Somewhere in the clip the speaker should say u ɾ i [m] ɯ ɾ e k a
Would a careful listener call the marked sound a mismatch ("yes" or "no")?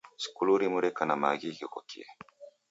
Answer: no